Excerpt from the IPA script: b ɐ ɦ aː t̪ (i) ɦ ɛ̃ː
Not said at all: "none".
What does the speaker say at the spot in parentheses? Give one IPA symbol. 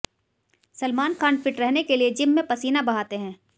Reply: e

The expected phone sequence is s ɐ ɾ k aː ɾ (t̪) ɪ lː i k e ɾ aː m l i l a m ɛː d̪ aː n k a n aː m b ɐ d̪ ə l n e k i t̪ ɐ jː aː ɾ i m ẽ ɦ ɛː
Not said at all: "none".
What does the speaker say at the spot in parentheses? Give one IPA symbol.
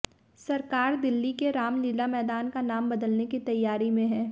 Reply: d̪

